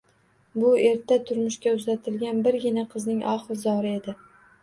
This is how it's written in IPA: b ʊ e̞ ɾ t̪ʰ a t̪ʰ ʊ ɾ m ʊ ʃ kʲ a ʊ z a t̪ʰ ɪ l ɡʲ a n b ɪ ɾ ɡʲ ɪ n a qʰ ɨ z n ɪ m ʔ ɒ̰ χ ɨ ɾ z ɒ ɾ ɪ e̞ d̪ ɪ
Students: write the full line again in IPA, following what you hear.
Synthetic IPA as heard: b ʊ e̞ ɾ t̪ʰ a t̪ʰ ʊ ɾ m ʊ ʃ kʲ a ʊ z a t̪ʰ ɪ l ɡʲ a n b ɪ ɾ ɡʲ ɪ n a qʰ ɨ z n ɪ ŋ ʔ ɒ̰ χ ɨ ɾ z ɒ ɾ ɪ e̞ d̪ ɪ